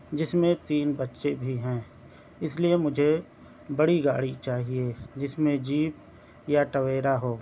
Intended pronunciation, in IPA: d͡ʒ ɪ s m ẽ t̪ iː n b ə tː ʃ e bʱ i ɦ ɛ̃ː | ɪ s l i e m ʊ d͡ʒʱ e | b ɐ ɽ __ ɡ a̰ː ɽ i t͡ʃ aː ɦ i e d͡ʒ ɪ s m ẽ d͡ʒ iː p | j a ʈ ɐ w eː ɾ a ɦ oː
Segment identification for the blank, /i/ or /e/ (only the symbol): i